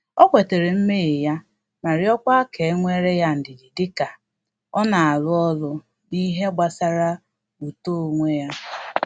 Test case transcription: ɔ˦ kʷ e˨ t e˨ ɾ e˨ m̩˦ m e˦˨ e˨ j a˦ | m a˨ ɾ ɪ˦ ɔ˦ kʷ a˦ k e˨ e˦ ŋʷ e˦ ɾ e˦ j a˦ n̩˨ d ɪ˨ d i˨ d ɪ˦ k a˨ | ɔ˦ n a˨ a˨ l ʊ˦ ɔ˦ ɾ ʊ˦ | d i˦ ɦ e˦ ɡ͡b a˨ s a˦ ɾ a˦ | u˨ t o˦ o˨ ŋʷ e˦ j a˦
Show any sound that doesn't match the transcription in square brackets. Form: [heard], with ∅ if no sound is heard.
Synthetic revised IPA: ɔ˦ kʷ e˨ t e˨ ɾ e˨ m̩˦ m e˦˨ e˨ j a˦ | m a˨ ɾ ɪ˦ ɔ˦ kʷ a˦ k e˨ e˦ ŋʷ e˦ ɾ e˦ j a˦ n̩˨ d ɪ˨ d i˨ d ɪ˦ k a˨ | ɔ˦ n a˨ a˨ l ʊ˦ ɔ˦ [l] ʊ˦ | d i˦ ɦ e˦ ɡ͡b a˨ s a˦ ɾ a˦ | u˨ t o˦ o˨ ŋʷ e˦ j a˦

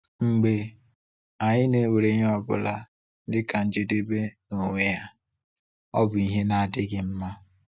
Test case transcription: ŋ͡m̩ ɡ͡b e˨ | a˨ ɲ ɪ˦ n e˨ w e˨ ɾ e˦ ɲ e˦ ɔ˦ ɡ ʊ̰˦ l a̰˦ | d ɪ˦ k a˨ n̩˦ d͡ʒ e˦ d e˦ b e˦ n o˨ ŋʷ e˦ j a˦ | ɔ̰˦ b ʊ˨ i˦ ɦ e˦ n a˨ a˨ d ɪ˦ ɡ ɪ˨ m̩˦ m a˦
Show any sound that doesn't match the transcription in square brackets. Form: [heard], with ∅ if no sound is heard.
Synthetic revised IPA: ŋ͡m̩ ɡ͡b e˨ | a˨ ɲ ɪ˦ n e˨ w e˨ ɾ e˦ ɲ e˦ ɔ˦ [b] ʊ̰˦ l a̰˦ | d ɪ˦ k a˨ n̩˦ d͡ʒ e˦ d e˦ b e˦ n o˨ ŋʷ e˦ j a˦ | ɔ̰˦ b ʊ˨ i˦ ɦ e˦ n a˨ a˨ d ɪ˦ ɡ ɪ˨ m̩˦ m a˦

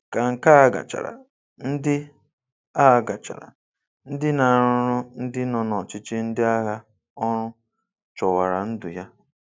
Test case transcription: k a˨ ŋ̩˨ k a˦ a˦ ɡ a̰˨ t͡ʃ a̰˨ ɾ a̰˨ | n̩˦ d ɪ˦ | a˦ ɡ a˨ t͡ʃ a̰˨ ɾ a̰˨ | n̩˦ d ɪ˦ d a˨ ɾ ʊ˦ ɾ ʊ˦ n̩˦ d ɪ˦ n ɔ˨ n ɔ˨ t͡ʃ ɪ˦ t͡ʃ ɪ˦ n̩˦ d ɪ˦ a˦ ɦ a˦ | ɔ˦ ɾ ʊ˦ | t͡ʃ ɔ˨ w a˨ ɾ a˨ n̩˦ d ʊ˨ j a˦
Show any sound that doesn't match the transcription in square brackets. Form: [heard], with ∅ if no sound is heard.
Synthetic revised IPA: k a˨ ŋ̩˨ k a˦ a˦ ɡ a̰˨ t͡ʃ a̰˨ ɾ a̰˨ | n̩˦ d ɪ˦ | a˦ ɡ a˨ t͡ʃ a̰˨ ɾ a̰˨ | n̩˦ d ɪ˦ [n] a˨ ɾ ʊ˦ ɾ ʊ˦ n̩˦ d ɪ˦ n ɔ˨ n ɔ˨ t͡ʃ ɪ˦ t͡ʃ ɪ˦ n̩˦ d ɪ˦ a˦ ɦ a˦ | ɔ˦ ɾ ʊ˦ | t͡ʃ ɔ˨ w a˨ ɾ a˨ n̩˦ d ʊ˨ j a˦

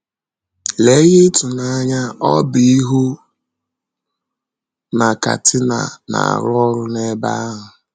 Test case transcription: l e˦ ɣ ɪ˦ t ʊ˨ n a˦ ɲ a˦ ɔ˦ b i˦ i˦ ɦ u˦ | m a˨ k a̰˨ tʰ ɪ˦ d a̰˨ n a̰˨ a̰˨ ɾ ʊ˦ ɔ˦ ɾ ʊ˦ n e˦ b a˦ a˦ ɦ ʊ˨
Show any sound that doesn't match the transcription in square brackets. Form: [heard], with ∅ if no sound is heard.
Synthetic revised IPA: l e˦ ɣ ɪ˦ t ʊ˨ n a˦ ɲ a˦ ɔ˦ b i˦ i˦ ɦ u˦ | [n] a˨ k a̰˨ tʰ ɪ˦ [n] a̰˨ n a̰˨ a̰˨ ɾ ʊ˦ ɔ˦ ɾ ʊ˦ n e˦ b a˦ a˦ ɦ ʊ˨

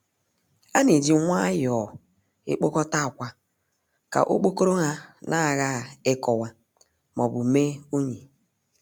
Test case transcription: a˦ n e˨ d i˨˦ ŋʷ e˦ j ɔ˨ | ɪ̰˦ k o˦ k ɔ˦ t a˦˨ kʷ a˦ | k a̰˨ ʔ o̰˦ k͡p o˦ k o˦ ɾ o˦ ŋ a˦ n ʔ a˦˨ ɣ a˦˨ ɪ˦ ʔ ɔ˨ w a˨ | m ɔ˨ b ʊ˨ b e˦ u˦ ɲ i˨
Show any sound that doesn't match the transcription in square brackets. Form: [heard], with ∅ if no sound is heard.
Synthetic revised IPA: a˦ n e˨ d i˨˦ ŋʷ [a˦] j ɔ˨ | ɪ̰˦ [k͡p] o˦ k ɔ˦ t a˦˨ kʷ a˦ | k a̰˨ ʔ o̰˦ k͡p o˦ k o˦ ɾ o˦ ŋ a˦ n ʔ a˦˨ ɣ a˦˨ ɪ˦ [k] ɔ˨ w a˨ | m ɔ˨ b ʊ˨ [m] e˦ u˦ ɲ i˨

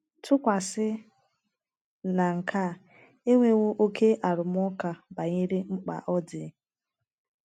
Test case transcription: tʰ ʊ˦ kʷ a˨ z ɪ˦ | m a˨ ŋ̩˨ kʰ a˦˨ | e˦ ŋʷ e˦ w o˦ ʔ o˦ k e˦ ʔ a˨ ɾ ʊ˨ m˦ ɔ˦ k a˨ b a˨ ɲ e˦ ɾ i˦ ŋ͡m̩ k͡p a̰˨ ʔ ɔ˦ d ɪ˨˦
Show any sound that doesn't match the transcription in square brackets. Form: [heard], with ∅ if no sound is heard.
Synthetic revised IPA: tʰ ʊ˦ kʷ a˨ [s] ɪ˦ | [n] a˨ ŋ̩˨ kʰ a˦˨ | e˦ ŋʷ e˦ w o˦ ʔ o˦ k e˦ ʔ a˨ ɾ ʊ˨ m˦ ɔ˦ k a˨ b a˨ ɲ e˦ ɾ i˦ ŋ͡m̩ k͡p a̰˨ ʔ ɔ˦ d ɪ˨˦

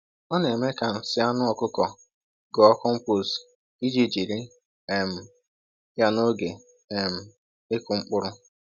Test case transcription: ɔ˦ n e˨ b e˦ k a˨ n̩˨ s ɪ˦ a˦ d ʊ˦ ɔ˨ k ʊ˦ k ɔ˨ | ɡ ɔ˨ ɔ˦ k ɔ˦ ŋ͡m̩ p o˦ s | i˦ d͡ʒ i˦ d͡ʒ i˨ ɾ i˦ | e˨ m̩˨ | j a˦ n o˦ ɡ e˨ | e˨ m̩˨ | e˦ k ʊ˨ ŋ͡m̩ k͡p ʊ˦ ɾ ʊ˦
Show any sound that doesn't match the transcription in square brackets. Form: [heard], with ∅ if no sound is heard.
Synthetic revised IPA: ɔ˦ n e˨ [m] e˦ k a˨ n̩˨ s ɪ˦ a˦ [n] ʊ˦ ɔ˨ k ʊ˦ k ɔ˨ | ɡ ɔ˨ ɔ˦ k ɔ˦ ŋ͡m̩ p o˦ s | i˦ d͡ʒ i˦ d͡ʒ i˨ ɾ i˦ | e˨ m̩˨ | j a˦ n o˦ ɡ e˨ | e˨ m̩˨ | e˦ k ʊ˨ ŋ͡m̩ k͡p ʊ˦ ɾ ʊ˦

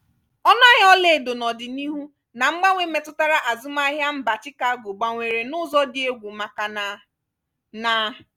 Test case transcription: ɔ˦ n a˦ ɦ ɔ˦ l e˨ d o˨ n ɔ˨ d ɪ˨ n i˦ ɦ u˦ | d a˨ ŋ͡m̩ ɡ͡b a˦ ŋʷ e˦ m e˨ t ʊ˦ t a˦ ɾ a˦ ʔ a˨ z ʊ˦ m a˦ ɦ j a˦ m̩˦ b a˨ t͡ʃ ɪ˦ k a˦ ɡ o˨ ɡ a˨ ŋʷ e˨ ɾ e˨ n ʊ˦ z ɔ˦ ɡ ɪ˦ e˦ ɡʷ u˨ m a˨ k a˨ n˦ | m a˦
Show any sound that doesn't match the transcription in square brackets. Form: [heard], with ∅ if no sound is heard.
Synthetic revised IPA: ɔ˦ n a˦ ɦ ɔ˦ l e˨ d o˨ n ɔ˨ d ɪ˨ n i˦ ɦ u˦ | [n] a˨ ŋ͡m̩ ɡ͡b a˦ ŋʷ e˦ m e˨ t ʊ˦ t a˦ ɾ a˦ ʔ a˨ z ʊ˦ m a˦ ɦ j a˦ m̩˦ b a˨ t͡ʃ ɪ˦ k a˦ ɡ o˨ [ɡ͡b] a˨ ŋʷ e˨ ɾ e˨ n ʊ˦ z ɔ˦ [d] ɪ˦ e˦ ɡʷ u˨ m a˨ k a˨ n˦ | [n] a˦

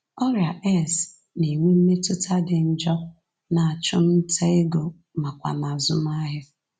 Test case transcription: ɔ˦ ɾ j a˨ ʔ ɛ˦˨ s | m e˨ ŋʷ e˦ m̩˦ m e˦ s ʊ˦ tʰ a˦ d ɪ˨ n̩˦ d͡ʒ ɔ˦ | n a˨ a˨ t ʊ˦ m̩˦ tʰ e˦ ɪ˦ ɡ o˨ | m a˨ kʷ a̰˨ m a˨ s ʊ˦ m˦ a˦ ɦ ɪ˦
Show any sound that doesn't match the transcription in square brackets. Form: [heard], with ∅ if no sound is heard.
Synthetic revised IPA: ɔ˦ ɾ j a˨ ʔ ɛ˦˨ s | [n] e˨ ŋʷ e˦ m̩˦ m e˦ [t] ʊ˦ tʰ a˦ d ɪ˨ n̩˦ d͡ʒ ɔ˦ | n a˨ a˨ [t͡ʃ] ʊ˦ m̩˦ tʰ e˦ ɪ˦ ɡ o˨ | m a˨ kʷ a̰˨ m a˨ [z] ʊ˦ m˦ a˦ ɦ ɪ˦

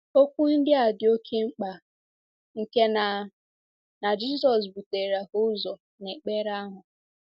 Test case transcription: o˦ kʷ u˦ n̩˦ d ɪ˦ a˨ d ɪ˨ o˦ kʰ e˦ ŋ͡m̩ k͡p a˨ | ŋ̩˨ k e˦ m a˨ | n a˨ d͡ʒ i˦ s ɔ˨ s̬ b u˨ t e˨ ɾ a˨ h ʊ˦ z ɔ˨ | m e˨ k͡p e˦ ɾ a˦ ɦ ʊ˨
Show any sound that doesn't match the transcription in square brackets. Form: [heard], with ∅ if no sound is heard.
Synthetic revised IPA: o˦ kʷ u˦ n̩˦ d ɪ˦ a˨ d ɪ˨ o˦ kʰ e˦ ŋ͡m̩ k͡p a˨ | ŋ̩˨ k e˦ [n] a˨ | n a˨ d͡ʒ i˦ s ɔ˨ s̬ b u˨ t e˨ ɾ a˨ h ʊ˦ z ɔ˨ | [n] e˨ k͡p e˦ ɾ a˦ ɦ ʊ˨

